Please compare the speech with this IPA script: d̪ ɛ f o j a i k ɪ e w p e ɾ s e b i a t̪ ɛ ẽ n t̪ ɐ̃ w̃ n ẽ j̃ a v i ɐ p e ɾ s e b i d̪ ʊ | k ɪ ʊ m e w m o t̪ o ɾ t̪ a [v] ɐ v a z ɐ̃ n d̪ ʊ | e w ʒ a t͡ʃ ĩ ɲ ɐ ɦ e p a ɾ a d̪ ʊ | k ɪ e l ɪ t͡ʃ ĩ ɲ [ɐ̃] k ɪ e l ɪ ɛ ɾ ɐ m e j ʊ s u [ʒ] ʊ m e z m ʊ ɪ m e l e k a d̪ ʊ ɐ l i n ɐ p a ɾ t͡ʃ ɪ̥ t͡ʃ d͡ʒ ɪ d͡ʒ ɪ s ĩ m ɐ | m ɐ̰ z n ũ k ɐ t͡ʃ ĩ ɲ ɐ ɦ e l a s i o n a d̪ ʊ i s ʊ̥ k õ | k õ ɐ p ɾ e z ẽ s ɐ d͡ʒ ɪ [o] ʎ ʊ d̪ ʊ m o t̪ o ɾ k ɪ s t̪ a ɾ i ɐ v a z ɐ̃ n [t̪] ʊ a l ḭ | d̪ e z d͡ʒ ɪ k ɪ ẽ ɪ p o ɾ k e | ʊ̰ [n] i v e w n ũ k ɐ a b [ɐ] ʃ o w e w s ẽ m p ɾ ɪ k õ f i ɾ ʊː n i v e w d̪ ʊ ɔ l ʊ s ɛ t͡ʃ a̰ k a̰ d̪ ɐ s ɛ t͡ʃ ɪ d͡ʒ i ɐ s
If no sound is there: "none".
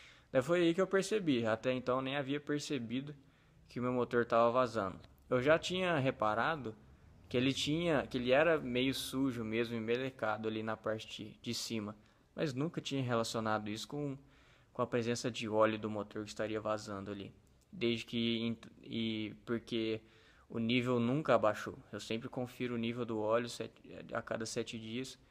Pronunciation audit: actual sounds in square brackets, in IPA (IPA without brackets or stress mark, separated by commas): v, ɐ, ʒ, ɔ, d̪, n, a